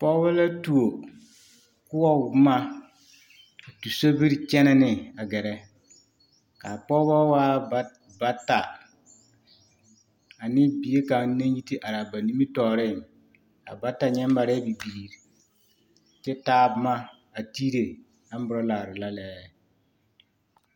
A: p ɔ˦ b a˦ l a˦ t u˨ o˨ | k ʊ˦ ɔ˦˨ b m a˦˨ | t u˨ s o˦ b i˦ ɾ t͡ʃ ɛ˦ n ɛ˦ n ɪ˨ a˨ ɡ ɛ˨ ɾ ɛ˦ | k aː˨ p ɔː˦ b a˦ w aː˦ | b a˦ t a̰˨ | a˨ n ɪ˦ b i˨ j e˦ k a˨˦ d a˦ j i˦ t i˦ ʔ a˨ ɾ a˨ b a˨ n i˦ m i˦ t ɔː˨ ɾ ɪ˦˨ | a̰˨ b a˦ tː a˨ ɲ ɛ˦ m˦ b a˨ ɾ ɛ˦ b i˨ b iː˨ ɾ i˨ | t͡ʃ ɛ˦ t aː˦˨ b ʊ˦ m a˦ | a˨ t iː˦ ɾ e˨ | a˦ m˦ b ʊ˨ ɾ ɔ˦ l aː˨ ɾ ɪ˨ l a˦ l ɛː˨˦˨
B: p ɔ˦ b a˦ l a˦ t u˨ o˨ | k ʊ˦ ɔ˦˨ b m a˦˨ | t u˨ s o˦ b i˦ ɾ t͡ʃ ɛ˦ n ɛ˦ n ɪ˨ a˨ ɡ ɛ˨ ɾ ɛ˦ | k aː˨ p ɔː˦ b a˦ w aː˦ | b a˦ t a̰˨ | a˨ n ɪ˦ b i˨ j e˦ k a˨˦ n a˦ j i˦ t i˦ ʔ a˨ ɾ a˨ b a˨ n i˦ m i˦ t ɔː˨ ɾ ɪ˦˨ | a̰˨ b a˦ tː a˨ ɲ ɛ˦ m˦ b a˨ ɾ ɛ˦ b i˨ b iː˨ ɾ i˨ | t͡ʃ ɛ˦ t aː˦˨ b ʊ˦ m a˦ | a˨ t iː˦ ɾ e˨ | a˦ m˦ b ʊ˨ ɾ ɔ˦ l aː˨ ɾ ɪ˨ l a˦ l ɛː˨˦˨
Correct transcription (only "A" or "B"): B